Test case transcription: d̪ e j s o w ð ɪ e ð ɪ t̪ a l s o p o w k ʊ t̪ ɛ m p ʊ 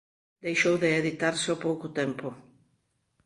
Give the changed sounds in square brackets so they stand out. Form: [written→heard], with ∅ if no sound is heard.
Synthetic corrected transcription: d̪ e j [s→ʃ] o w ð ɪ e ð [ɪ→i] t̪ a [l→ɾ] s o p o w k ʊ t̪ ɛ m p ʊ